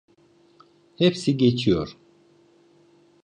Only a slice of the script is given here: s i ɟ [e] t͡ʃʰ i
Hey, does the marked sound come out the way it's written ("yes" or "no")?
yes